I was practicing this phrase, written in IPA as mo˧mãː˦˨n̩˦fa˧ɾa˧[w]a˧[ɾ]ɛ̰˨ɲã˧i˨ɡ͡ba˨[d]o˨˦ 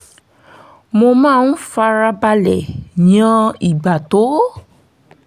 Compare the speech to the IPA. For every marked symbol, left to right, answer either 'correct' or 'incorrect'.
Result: incorrect, incorrect, incorrect

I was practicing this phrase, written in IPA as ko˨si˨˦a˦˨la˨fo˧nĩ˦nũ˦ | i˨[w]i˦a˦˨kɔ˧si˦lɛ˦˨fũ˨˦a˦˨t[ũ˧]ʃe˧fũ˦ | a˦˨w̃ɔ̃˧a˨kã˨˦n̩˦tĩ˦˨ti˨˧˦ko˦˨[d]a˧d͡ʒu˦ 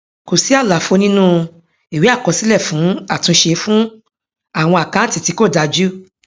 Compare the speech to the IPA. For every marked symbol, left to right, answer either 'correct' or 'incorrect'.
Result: correct, correct, correct

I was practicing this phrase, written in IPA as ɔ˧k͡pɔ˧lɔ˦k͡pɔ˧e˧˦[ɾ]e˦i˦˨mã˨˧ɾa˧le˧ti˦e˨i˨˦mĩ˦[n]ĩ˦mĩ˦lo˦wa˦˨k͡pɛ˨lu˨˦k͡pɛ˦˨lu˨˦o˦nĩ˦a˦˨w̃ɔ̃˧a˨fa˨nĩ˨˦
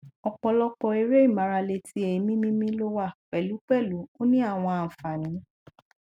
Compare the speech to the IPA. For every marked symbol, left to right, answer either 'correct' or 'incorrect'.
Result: correct, incorrect

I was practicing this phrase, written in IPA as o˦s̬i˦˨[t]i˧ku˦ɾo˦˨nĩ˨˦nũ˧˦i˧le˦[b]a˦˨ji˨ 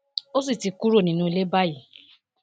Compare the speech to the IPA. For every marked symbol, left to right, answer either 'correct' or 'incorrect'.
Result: correct, correct

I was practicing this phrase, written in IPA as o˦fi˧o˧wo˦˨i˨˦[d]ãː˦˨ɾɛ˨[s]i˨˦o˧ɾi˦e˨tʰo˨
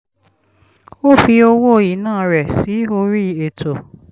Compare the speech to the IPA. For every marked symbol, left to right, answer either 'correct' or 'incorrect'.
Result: incorrect, correct

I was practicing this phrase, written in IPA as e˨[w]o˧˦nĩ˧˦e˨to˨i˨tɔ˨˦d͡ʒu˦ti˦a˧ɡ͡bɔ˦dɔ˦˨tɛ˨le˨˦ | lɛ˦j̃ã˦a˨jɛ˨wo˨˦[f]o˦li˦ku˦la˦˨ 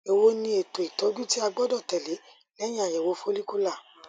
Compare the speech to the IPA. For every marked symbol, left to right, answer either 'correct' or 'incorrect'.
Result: correct, correct

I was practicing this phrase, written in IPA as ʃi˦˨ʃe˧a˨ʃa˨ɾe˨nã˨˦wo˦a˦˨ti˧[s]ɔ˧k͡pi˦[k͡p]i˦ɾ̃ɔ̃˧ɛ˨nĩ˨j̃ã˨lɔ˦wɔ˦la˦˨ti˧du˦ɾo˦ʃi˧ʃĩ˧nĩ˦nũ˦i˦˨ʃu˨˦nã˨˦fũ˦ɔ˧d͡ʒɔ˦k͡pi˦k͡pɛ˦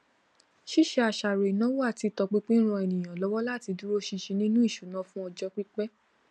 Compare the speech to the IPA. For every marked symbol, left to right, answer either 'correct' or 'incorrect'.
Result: incorrect, correct

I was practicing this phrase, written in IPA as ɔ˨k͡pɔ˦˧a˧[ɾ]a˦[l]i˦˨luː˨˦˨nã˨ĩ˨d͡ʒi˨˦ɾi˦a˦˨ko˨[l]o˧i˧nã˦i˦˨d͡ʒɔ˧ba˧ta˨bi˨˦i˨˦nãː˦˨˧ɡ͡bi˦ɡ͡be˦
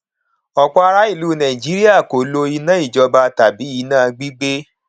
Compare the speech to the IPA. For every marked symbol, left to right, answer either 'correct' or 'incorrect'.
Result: correct, incorrect, correct

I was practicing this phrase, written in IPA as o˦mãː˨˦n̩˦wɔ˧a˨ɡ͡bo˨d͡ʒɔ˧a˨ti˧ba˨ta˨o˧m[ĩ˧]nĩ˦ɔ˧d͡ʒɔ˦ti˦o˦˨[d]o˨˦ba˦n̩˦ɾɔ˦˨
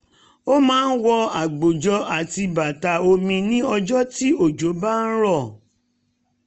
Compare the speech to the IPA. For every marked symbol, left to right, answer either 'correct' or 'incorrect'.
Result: correct, incorrect

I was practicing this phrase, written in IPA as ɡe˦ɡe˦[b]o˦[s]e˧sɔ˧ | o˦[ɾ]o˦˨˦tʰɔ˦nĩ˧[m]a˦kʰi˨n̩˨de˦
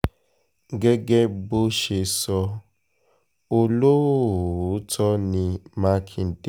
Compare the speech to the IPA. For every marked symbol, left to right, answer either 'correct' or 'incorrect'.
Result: correct, incorrect, incorrect, correct

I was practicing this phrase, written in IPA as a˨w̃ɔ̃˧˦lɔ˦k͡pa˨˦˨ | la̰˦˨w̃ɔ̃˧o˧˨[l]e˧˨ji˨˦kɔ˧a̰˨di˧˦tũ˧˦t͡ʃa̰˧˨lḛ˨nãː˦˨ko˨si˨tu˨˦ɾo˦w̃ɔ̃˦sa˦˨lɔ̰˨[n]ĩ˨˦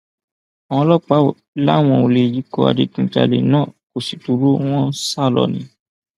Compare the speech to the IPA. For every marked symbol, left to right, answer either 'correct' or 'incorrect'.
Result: correct, correct

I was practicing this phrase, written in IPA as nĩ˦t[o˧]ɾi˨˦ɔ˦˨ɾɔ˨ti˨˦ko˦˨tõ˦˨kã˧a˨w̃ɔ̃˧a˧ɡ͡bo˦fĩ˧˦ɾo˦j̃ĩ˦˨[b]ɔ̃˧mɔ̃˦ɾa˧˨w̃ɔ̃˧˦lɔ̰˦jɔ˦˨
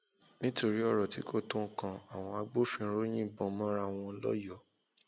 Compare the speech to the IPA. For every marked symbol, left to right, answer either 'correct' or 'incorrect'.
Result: correct, correct

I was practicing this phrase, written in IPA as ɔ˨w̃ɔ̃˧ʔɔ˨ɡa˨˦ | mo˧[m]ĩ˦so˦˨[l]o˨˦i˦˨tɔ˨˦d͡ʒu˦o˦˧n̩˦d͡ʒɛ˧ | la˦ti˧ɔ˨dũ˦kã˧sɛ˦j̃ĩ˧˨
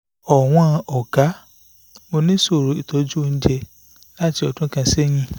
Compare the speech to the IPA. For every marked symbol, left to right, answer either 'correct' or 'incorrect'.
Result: incorrect, incorrect

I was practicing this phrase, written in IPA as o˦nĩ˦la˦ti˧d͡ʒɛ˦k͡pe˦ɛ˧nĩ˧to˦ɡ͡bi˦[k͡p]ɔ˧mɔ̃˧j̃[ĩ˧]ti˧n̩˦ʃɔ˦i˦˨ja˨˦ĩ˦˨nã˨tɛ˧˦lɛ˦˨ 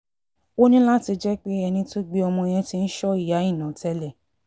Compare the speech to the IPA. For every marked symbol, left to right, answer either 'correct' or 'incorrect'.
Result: incorrect, incorrect

